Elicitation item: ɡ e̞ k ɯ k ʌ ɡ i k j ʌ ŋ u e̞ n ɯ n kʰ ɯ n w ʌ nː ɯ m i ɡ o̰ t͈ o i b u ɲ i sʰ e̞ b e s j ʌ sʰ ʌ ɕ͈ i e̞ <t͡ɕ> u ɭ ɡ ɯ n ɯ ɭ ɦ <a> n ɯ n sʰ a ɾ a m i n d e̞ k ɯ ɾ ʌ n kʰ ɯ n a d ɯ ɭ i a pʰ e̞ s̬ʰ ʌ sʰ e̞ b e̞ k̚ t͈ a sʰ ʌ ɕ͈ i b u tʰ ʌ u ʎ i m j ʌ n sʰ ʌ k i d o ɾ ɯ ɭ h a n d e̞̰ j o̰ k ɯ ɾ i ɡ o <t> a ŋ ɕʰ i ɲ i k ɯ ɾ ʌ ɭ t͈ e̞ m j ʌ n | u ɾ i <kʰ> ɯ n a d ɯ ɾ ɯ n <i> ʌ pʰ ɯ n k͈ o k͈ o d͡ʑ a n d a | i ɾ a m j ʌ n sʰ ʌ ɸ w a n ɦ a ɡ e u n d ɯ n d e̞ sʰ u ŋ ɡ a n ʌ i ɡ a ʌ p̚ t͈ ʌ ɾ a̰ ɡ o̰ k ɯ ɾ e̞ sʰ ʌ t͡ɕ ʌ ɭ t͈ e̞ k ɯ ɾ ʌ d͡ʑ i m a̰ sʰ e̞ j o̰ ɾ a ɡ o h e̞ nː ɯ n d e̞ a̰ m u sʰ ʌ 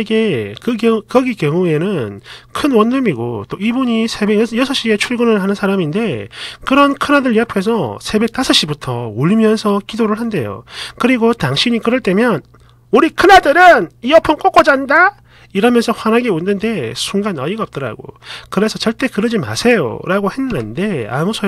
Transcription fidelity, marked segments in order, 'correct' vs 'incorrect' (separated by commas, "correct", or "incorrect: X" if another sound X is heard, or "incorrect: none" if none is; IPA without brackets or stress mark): incorrect: t͡ɕʰ, correct, correct, correct, correct